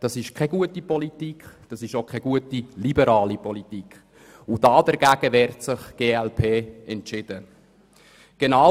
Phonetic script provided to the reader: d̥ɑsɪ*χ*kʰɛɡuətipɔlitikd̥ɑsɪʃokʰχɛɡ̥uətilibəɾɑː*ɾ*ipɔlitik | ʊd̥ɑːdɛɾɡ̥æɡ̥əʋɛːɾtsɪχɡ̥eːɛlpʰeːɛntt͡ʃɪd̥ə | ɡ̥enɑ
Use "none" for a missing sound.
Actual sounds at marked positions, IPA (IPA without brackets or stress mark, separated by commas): ʃ, l